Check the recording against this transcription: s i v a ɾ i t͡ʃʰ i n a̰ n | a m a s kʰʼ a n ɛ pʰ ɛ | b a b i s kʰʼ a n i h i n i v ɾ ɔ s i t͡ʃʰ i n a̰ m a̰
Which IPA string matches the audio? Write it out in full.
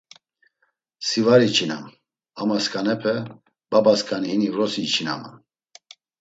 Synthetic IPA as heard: s i v a ɾ i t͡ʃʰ i n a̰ m | a m a s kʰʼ a n ɛ pʰ ɛ | b a b a s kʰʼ a n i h i n i v ɾ ɔ s i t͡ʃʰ i n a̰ m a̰